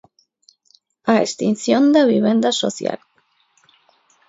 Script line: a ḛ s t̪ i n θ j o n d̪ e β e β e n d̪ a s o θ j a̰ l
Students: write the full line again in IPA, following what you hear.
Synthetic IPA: a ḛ s t̪ i n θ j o n d̪ e β i β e n d̪ a s o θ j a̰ l